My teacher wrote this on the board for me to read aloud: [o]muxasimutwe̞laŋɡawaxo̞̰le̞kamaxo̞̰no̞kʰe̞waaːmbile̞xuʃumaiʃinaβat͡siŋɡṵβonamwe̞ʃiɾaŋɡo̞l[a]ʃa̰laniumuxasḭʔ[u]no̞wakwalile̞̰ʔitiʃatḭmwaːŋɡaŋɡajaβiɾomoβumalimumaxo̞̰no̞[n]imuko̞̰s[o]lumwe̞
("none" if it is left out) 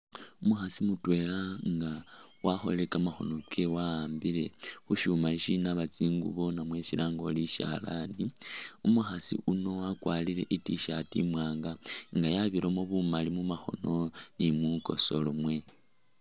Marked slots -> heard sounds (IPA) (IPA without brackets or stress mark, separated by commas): u, i, u, n, o